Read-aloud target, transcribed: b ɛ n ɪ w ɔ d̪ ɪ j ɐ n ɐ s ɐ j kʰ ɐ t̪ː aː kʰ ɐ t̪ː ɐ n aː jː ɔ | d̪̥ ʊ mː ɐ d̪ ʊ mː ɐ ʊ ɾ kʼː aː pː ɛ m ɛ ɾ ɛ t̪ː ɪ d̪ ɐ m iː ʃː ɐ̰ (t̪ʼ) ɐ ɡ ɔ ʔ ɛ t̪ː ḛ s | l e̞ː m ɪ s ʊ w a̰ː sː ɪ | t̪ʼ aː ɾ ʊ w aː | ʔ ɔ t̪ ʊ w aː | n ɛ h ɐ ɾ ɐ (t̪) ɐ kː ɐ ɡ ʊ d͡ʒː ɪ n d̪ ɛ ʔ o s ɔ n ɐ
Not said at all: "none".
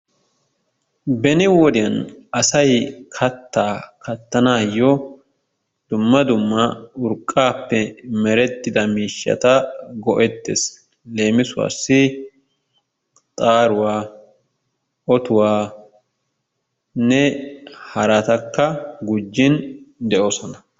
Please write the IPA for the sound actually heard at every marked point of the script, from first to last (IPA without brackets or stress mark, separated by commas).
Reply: t̪, t̪